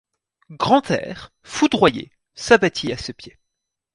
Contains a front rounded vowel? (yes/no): no